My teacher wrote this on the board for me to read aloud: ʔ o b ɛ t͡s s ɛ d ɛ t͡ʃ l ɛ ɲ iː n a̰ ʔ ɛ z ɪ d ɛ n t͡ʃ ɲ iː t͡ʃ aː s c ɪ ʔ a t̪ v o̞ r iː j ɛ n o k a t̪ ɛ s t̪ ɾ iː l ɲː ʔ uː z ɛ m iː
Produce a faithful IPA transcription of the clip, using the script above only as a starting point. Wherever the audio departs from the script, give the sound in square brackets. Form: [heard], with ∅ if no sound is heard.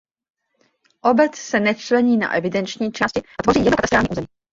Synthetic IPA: ʔ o b ɛ t͡s s ɛ [n] ɛ t͡ʃ l ɛ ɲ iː n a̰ ʔ ɛ [v] ɪ d ɛ n t͡ʃ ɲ iː t͡ʃ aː s c ɪ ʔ a t̪ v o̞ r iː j ɛ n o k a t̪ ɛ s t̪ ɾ [aː] l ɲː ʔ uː z ɛ m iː